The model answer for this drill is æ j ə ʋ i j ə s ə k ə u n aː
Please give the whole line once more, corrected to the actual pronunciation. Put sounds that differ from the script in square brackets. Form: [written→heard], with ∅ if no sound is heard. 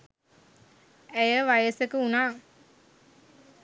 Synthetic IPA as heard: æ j ə ʋ [i→a] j ə s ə k ə u n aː

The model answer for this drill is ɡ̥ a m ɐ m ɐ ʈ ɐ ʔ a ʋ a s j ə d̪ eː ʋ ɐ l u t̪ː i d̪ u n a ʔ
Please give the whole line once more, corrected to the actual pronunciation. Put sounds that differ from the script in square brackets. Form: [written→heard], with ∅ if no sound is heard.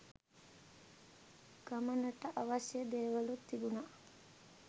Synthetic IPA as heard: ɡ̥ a m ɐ [m→n] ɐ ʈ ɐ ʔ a ʋ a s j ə d̪ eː ʋ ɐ l u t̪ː i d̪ u n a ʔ

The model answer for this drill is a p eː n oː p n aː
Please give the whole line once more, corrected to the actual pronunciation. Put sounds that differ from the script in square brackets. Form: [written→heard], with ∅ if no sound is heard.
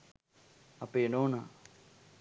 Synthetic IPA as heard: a p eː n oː [p→∅] n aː

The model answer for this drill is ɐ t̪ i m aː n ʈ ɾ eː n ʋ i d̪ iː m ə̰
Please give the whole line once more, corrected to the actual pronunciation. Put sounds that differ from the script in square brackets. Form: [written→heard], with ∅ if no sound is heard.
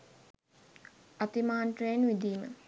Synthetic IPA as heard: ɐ t̪ i m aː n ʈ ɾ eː n ʋ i d̪ iː m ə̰

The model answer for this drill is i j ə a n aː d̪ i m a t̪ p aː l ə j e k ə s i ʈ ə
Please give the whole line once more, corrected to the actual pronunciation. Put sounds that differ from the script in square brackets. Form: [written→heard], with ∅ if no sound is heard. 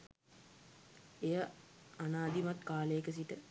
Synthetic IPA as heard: [i→e] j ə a n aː d̪ i m a t̪ [p→k] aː l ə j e k ə s i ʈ ə

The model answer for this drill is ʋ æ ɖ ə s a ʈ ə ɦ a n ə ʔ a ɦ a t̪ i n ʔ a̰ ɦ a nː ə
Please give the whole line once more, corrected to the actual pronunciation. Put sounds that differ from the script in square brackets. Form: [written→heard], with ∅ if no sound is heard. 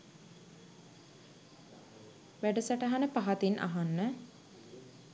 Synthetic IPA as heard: ʋ æ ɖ ə s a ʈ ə ɦ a n ə [ʔ→p] a ɦ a t̪ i n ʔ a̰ ɦ a nː ə

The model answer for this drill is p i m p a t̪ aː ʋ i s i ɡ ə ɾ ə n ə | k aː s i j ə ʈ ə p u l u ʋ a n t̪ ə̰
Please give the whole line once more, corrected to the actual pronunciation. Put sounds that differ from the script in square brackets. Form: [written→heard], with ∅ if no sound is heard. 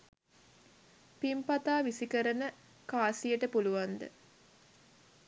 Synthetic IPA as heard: p i m p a t̪ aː ʋ i s i [ɡ→k] ə ɾ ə n ə | k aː s i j ə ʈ ə p u l u ʋ a n [t̪→d̪] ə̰

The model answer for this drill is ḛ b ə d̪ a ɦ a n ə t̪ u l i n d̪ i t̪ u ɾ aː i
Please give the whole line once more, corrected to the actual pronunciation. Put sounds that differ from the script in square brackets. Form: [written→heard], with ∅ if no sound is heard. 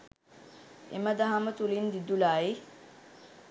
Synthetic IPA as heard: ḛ [b→m] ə d̪ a ɦ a [n→m] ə t̪ u l i n d̪ i [t̪→d̪] u [ɾ→l] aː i

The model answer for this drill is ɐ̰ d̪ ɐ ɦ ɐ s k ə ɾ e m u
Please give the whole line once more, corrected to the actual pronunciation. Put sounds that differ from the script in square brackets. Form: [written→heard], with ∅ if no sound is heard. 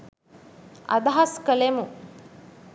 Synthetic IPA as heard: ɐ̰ d̪ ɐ ɦ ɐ s k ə [ɾ→l] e m u

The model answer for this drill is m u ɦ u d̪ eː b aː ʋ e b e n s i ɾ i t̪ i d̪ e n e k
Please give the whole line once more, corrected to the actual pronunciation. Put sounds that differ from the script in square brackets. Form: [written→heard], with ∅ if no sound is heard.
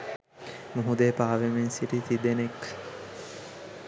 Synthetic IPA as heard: m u ɦ u d̪ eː [b→p] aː ʋ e [b→m] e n s i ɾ i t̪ i d̪ e n e k

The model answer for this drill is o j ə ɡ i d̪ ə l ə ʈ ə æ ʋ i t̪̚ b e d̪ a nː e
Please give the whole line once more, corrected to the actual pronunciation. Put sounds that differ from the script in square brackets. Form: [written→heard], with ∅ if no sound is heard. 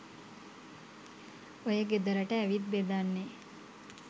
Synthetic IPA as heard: o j ə ɡ [i→e] d̪ ə [l→ɾ] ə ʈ ə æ ʋ i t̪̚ b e d̪ a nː e

